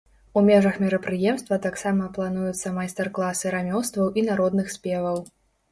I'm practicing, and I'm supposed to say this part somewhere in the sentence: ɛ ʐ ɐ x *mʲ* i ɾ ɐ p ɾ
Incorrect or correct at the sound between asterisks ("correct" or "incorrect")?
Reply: correct